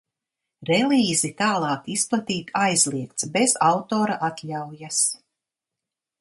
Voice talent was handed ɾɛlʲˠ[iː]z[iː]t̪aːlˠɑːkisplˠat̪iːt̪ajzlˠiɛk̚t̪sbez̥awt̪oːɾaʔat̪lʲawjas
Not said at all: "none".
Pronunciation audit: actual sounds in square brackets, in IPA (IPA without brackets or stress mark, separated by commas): iː, i